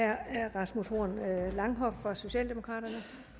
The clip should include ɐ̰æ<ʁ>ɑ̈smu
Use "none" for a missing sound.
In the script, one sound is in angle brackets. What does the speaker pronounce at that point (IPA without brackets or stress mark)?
ʁ